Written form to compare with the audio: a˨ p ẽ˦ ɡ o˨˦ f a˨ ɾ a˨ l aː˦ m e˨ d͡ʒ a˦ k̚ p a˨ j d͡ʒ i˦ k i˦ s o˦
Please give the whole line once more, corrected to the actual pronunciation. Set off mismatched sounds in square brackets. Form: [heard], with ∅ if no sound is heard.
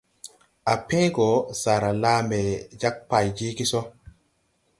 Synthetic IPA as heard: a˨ p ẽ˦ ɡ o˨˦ [s] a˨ ɾ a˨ l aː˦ m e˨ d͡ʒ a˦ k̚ p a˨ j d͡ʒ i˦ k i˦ s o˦